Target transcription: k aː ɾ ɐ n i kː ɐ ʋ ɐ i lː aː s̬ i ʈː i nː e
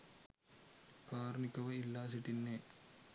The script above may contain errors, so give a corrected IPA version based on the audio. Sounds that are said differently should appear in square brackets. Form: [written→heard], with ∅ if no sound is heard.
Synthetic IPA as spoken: k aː ɾ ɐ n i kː ɐ ʋ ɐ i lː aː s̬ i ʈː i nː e